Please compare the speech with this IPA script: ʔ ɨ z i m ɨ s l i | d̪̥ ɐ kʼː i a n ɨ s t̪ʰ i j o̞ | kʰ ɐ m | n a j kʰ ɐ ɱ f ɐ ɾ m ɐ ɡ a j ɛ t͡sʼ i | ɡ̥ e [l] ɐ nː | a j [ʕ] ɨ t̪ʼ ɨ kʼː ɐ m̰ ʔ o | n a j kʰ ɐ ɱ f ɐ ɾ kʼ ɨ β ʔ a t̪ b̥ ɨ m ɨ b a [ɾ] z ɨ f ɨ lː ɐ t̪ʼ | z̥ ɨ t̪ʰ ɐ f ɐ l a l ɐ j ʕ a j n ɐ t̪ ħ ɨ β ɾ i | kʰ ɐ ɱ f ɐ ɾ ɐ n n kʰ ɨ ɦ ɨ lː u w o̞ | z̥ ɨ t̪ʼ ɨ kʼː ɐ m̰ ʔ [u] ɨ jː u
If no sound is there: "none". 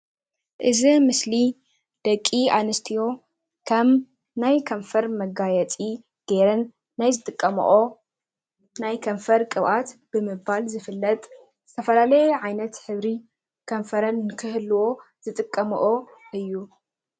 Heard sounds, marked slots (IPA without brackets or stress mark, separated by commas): ɾ, z, l, o